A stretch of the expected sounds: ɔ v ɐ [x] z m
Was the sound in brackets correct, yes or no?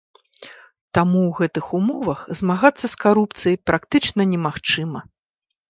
yes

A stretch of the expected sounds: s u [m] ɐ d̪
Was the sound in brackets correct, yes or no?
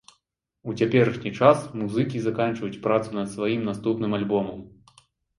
no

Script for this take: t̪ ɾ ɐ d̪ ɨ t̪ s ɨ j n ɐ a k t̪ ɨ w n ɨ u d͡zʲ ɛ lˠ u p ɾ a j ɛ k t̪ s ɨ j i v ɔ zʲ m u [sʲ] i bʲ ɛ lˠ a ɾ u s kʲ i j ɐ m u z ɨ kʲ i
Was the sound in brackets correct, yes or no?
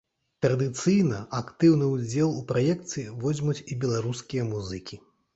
no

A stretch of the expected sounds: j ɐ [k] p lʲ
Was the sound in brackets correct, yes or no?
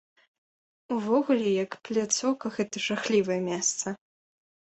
yes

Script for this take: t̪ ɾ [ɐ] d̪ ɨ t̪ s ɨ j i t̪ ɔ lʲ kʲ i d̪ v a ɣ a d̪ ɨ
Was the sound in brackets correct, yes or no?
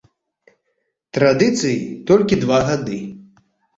no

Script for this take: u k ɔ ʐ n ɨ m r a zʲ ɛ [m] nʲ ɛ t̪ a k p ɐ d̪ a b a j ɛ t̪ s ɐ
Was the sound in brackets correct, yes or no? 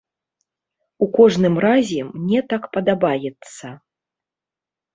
yes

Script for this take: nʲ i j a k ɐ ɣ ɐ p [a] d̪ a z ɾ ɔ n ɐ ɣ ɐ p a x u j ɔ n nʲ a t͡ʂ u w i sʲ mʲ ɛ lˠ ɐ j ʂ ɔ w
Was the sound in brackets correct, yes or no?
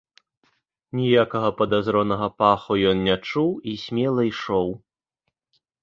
no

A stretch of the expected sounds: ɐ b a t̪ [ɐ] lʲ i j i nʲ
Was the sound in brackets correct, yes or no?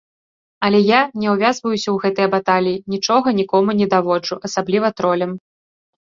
no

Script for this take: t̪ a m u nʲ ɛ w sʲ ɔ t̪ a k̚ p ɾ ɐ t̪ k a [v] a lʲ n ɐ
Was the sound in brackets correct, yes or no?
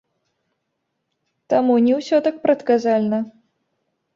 no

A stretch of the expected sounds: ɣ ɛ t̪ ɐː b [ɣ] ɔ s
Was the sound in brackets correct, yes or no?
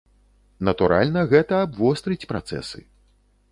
no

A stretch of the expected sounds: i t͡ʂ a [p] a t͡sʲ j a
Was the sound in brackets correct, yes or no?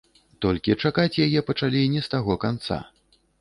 no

